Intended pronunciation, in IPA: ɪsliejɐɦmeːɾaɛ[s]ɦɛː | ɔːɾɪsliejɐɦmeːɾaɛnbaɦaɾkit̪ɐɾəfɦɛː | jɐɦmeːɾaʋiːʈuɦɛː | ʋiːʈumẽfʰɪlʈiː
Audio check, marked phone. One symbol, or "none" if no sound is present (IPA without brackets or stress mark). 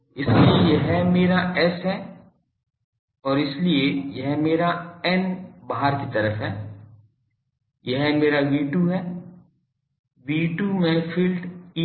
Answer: s